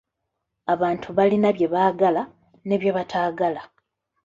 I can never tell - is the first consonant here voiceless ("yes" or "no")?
no